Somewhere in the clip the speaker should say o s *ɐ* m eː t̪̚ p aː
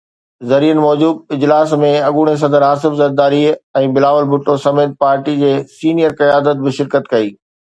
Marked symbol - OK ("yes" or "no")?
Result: yes